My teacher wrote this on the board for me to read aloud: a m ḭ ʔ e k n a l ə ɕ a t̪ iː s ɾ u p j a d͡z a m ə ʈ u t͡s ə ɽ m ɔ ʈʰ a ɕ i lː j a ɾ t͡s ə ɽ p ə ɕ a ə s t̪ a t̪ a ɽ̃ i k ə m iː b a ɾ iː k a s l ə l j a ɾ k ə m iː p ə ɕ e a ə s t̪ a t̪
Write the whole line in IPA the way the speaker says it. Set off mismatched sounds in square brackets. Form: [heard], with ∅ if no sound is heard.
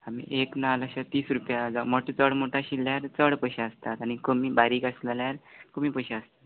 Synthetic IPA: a m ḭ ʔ e k n a l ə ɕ a t̪ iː s ɾ u p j a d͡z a m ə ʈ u t͡s ə ɽ m [o] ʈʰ a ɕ i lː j a ɾ t͡s ə ɽ p ə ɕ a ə s t̪ a t̪ a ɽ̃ i k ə m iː b a ɾ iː k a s l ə l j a ɾ k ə m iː p ə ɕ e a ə s t̪ a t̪